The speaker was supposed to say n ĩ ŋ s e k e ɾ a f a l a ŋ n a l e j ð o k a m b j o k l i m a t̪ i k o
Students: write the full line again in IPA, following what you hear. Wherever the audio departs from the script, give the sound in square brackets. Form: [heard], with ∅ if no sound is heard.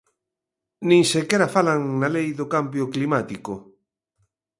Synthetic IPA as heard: n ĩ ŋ s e k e ɾ a f a l a ŋ n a l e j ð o k a m b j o k l i m a t̪ i k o